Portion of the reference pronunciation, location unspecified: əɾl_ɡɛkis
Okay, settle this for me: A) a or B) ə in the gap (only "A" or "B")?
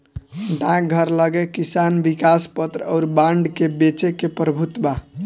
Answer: B